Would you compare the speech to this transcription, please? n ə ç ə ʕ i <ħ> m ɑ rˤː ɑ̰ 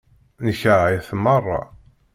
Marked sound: incorrect: θ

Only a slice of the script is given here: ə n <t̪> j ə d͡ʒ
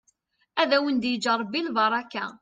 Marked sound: incorrect: d̪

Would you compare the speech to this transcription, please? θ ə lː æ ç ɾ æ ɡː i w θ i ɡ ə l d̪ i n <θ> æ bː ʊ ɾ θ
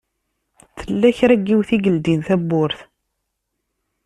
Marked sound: correct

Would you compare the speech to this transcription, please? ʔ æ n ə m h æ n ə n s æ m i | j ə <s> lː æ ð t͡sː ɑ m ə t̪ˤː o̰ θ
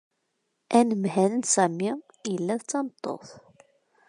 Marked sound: incorrect: none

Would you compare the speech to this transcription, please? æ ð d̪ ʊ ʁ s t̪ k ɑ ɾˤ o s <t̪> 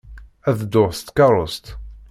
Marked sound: correct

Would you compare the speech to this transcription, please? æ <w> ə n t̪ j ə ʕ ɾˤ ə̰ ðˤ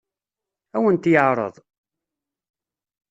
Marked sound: correct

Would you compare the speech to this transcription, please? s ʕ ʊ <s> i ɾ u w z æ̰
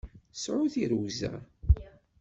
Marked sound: incorrect: θ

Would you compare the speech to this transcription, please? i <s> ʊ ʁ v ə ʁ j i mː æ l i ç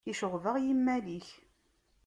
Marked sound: incorrect: ʃ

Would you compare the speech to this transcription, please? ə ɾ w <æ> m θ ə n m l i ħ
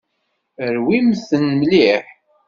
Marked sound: incorrect: i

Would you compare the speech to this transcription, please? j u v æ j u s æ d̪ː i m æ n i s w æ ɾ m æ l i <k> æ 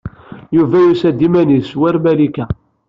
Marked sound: correct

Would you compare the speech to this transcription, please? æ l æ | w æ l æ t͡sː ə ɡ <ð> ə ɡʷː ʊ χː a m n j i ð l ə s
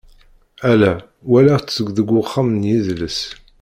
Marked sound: correct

